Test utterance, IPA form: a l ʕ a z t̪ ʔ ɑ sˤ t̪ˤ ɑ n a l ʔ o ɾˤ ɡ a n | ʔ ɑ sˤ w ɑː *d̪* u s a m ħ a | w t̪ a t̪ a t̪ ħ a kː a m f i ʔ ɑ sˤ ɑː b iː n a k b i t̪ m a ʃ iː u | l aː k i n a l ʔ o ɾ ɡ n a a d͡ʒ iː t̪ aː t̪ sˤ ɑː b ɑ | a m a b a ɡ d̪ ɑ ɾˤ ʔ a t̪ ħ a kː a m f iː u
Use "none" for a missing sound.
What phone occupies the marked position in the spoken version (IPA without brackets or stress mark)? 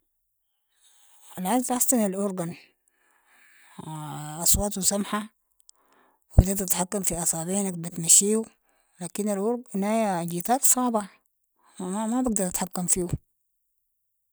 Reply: t̪